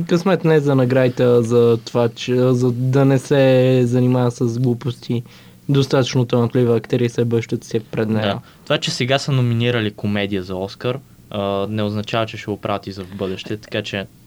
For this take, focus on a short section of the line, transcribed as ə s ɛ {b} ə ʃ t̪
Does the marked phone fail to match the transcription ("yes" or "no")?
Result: no